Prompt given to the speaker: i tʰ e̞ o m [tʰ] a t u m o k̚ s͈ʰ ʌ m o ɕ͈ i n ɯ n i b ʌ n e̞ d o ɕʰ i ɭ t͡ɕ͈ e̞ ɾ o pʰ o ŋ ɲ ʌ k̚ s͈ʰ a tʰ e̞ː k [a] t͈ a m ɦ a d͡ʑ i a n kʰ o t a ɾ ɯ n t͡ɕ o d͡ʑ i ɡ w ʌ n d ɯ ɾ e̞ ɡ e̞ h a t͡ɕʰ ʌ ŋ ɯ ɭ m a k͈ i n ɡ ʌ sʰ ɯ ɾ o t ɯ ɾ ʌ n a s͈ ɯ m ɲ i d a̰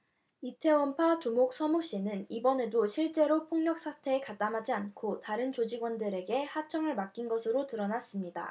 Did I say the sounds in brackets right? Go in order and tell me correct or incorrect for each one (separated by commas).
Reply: incorrect, correct